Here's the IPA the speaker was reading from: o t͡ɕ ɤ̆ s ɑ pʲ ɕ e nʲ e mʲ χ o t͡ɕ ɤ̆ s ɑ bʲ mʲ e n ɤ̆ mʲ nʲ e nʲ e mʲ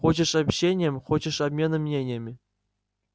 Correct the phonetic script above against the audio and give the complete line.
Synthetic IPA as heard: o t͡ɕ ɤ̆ ʂ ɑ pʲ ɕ e nʲ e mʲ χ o t͡ɕ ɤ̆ ʂ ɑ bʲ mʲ e n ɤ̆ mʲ nʲ e nʲ e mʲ